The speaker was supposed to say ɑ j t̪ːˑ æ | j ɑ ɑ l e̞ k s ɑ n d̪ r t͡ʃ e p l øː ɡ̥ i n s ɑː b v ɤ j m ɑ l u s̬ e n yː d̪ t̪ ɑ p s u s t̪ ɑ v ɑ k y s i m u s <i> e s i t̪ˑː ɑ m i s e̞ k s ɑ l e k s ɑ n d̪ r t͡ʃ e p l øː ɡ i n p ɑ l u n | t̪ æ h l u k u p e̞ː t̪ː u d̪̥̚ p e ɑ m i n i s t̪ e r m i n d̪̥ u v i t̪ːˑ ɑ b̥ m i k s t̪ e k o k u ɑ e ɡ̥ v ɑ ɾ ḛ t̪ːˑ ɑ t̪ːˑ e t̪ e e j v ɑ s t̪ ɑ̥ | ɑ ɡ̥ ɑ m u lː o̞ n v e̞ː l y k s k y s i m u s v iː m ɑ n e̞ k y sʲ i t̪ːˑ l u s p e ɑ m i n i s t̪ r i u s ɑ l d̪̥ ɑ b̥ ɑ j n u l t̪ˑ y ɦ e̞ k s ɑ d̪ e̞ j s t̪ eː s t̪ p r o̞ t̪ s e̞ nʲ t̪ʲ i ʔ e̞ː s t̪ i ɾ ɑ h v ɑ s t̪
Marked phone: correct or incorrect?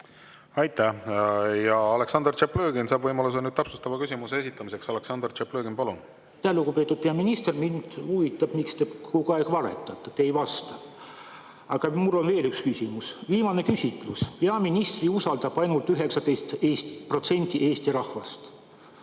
incorrect